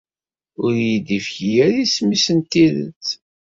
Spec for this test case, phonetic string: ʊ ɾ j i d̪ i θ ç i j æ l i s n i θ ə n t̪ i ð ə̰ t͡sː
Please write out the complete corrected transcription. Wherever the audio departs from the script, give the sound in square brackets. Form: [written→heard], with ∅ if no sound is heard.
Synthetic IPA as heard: ʊ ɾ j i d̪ i [θ→f] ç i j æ [l→ɾ] i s [n→m] i [θ→s] ə n t̪ i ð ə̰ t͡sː